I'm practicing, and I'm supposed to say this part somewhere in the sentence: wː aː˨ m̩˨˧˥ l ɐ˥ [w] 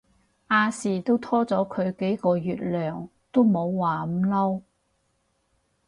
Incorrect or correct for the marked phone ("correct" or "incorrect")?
correct